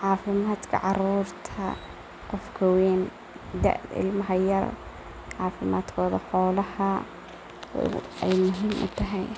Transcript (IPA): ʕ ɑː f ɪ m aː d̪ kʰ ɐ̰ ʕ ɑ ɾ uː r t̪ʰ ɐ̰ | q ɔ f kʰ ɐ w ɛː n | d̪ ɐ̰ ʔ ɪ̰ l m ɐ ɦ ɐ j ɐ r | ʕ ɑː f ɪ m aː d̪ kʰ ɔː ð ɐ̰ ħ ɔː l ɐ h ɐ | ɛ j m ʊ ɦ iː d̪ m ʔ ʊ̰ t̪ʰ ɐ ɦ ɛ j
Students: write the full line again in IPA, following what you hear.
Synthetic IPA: ʕ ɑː f ɪ m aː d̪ kʰ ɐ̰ ʕ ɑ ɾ uː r t̪ʰ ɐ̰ | q ɔ f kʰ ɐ w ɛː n | d̪ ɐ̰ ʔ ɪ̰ l m ɐ ɦ ɐ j ɐ r | ʕ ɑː f ɪ m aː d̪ kʰ ɔː ð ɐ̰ ħ ɔː l ɐ h ɐ | ɛ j m ʊ ɦ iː m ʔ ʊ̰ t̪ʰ ɐ ɦ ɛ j